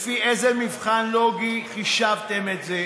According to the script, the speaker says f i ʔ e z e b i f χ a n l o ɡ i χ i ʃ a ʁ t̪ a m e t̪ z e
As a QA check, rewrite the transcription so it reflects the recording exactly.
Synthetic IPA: f i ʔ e z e m i v χ a n l o ɡ i χ i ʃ a v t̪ e m e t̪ z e